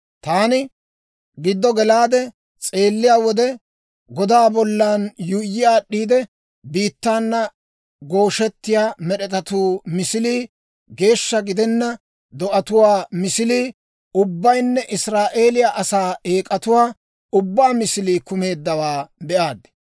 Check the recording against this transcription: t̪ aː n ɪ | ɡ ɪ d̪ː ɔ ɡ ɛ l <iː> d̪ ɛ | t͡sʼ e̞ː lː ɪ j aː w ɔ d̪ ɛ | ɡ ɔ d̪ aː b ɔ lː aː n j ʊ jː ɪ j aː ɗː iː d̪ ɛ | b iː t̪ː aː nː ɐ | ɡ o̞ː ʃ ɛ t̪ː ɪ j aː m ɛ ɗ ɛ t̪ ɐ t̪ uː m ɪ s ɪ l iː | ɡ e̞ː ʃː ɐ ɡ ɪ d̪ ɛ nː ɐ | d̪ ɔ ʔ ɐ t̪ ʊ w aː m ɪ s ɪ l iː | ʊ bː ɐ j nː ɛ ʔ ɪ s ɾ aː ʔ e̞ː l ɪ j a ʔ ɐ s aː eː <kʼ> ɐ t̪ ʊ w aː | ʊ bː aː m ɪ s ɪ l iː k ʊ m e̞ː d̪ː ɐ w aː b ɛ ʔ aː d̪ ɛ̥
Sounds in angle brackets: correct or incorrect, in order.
incorrect: aː, correct

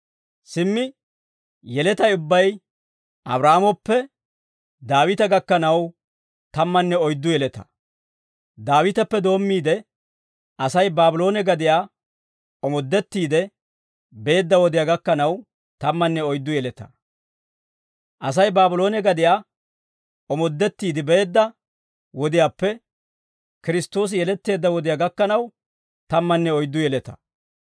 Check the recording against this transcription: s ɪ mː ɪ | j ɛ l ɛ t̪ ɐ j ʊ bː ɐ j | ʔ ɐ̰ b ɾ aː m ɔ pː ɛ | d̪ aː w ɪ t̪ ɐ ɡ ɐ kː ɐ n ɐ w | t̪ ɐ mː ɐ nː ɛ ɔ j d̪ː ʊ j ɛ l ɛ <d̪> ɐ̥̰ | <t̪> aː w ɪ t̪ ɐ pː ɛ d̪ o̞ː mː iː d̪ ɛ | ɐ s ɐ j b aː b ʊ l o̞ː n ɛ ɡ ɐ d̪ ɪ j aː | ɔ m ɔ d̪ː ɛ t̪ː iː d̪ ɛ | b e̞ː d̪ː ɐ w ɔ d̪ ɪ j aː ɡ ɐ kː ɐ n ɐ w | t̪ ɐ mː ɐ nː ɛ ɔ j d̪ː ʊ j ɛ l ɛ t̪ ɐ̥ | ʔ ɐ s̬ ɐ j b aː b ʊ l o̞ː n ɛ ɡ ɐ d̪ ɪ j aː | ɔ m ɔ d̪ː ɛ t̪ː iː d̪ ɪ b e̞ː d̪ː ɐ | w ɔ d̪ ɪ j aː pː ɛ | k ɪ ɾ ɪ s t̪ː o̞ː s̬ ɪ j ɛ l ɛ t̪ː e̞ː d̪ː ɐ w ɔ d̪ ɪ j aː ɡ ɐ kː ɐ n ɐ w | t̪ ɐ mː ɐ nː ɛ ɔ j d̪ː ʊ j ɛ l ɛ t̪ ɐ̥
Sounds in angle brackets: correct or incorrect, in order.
incorrect: t̪, incorrect: d̪

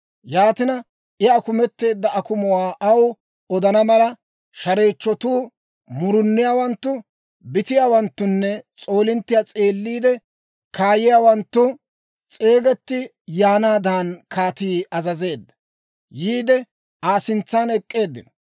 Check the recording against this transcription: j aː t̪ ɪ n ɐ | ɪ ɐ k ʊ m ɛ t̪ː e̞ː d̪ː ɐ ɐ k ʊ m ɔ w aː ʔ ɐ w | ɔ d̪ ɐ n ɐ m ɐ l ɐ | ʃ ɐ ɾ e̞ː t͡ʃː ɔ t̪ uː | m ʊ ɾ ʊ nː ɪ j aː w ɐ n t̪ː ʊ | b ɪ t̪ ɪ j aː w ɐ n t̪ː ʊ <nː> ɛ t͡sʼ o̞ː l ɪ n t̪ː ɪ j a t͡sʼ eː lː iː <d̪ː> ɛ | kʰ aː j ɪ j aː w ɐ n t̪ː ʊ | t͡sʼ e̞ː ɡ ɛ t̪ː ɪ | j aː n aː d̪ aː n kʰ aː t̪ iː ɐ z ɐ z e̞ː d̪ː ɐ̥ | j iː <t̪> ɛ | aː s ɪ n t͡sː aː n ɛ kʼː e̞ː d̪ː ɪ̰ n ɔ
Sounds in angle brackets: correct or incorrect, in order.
correct, incorrect: d̪, incorrect: d̪

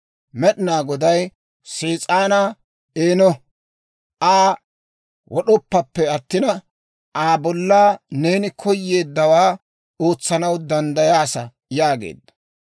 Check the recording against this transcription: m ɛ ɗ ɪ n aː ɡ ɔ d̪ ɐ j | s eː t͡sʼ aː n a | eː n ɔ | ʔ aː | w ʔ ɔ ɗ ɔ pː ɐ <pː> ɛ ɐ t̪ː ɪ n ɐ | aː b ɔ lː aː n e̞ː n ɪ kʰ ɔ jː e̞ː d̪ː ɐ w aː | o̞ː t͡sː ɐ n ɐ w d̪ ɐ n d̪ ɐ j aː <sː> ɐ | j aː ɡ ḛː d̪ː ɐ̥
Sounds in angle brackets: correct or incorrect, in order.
correct, incorrect: s

